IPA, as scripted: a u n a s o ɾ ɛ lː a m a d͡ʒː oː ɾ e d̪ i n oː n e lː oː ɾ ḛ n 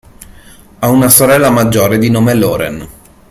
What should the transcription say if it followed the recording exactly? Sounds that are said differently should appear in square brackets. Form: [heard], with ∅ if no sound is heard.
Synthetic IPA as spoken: a u n a s o ɾ ɛ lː a m a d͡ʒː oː ɾ e d̪ i n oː [m] e [l] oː ɾ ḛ n